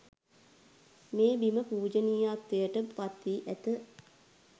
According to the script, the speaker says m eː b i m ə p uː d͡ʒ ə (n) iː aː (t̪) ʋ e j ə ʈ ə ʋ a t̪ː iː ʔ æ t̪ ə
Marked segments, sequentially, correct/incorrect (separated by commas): correct, correct